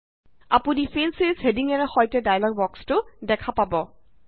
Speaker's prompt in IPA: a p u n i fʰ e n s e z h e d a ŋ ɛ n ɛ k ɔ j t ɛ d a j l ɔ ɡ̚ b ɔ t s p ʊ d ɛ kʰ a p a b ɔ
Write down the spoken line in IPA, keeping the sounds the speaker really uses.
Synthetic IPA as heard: a p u n i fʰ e n s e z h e d i ŋ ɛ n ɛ x ɔ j t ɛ d a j l ɔ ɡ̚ b ɔ k s t ʊ d ɛ kʰ a p a b ɔ